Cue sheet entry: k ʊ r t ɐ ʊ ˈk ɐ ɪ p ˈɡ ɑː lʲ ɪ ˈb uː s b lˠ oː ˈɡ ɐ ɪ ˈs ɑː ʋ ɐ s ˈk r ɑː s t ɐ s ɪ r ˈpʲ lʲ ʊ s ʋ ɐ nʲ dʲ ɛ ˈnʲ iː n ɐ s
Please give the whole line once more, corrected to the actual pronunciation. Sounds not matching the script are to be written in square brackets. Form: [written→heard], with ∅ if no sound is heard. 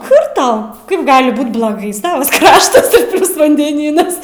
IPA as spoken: k ʊ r t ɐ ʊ ˈk ɐ ɪ p ˈɡ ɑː lʲ ɪ ˈb uː [s→t] b lˠ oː ˈɡ ɐ ɪ ˈs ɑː ʋ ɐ s ˈk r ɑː [s→ʃ] t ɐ s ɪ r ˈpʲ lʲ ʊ s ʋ ɐ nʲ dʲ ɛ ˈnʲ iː n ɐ s

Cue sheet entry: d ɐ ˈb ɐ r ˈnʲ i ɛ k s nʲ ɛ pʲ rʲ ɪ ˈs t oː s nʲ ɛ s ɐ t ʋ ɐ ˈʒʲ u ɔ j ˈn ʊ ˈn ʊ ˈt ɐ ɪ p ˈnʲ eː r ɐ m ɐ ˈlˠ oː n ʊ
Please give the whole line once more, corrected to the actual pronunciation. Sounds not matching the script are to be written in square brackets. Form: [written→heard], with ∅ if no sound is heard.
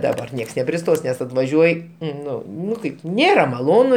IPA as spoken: d ɐ ˈb ɐ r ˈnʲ i ɛ k s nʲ ɛ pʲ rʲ ɪ ˈs t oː s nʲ ɛ s ɐ t ʋ ɐ ˈʒʲ u ɔ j ˈn ʊ ˈn ʊ [ˈt→ˈk] ɐ ɪ p ˈnʲ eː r ɐ m ɐ ˈlˠ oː n ʊ

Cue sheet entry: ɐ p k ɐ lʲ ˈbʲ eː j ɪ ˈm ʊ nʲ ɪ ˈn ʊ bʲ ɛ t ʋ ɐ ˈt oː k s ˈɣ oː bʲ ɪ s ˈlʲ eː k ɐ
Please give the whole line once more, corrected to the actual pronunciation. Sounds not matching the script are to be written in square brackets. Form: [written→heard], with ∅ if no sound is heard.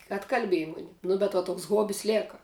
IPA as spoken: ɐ [p→t] k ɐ lʲ ˈbʲ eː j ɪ ˈm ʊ nʲ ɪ ˈn ʊ bʲ ɛ t ʋ ɐ ˈt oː k s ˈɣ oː bʲ ɪ s ˈlʲ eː k ɐ

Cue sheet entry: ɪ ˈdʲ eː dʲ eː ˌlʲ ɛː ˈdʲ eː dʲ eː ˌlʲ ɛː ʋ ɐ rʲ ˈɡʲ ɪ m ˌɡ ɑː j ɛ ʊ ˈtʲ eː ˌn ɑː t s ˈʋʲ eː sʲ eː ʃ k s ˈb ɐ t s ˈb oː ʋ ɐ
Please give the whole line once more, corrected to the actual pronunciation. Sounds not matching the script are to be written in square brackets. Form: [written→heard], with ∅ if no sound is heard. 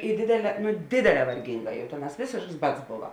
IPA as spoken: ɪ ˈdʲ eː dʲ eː ˌlʲ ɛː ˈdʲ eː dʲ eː ˌlʲ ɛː ʋ ɐ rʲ ˈɡʲ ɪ [m→ŋ] ˌɡ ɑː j ɛ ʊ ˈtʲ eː ˌn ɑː [t→∅] s ˈʋʲ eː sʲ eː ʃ k s ˈb ɐ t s ˈb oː ʋ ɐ

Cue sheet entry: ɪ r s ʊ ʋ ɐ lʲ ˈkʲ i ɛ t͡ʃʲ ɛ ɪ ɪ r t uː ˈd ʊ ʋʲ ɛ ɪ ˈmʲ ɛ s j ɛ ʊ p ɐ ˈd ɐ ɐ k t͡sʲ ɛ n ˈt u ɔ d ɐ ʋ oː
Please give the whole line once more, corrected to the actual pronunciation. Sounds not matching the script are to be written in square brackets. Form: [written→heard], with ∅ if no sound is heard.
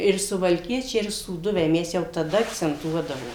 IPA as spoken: ɪ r s ʊ ʋ ɐ lʲ ˈkʲ i ɛ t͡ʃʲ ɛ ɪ ɪ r [t→s] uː ˈd ʊ ʋʲ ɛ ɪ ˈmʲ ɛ s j ɛ ʊ [p→t] ɐ ˈd ɐ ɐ k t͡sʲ ɛ n ˈt u ɔ d ɐ ʋ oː

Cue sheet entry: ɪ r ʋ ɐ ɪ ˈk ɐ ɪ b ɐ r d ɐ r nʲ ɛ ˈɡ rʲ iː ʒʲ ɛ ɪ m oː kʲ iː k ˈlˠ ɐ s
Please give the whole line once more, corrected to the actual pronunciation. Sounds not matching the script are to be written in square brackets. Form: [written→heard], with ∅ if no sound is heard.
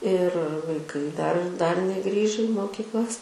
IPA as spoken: ɪ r ʋ ɐ ɪ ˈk ɐ ɪ [b→d] ɐ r d ɐ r nʲ ɛ ˈɡ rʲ iː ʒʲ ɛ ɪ m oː kʲ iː k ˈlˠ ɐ s

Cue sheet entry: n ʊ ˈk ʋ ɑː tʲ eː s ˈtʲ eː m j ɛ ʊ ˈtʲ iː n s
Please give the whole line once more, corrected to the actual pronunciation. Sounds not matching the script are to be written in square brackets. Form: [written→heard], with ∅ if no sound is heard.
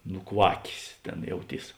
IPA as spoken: n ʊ ˈk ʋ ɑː [tʲ→kʲ] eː s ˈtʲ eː [m→n] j ɛ ʊ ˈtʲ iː [n→∅] s

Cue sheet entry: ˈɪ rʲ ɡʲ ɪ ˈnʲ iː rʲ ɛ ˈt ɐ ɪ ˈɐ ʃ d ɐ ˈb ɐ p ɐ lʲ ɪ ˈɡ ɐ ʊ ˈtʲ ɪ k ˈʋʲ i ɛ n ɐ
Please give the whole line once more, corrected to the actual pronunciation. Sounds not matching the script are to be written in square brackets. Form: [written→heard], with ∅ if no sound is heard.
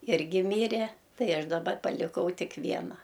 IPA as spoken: ˈɪ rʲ ɡʲ ɪ [ˈnʲ→ˈmʲ] iː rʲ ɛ ˈt ɐ ɪ ˈɐ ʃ d ɐ ˈb ɐ p ɐ lʲ ɪ [ˈɡ→ˈk] ɐ ʊ ˈtʲ ɪ k ˈʋʲ i ɛ n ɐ

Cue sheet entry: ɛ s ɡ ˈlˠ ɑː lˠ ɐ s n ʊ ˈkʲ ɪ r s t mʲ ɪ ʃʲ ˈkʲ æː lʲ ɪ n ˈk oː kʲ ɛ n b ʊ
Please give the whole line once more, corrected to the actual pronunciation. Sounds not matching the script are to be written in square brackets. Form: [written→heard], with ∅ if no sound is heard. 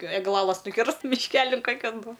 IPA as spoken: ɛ [s→∅] ɡ ˈlˠ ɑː lˠ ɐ s n ʊ ˈkʲ ɪ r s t mʲ ɪ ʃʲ ˈkʲ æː lʲ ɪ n ˈk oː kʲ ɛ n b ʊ

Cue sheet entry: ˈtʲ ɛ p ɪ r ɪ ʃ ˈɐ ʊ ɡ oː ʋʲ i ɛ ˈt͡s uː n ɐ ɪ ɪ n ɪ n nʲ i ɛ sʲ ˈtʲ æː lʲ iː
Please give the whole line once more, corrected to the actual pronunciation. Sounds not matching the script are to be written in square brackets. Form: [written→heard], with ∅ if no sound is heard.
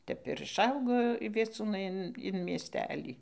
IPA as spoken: ˈtʲ ɛ p ɪ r ɪ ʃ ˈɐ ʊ ɡ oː ʋʲ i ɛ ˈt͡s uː n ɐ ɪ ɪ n ɪ n [nʲ→mʲ] i ɛ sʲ ˈtʲ æː lʲ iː

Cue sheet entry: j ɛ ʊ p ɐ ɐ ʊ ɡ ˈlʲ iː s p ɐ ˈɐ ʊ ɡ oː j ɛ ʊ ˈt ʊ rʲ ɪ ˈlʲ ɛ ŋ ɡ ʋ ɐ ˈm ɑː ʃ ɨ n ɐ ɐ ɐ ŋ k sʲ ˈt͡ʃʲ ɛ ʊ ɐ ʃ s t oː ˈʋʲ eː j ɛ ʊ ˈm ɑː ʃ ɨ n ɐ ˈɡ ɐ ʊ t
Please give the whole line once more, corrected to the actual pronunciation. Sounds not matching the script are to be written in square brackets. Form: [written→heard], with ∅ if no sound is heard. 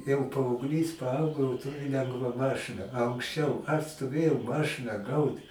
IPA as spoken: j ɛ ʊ p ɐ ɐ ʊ ɡ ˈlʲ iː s p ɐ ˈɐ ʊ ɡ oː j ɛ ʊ ˈt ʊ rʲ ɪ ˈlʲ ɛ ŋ ɡ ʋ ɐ ˈm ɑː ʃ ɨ n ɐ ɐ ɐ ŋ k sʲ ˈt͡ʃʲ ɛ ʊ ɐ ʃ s t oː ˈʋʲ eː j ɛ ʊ ˈm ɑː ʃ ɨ n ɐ ˈɡ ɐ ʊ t

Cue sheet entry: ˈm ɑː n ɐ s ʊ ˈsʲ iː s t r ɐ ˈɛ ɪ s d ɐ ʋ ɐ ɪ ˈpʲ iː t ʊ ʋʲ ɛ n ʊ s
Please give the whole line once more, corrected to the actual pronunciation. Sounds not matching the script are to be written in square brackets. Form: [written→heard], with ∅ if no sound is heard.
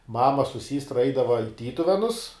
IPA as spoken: ˈm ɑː [n→m] ɐ s ʊ ˈsʲ iː s t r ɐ ˈɛ ɪ [s→∅] d ɐ ʋ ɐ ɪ [ˈpʲ→ˈtʲ] iː t ʊ ʋʲ ɛ n ʊ s

